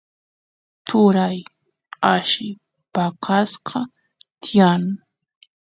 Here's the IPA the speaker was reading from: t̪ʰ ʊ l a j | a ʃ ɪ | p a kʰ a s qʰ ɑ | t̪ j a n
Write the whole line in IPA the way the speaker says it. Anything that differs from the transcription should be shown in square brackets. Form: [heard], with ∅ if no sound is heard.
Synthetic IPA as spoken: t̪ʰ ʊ [ɾ] a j | a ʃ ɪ | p a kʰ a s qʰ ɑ | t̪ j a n